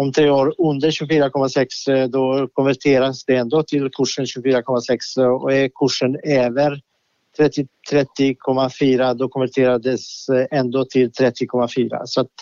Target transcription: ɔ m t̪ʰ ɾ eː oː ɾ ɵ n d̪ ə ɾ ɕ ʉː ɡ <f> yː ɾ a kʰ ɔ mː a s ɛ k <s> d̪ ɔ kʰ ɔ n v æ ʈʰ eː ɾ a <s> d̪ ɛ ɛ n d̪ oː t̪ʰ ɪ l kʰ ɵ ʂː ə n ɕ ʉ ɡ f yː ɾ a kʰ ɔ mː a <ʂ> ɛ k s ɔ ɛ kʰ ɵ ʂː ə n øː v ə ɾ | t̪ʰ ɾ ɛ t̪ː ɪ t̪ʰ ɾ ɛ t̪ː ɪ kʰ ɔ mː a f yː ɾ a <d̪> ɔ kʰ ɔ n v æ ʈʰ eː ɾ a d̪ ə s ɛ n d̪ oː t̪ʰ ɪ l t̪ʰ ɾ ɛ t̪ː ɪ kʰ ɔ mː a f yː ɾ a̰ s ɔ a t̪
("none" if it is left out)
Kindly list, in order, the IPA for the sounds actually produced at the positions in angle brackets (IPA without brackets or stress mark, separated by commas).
f, s, s, s, d̪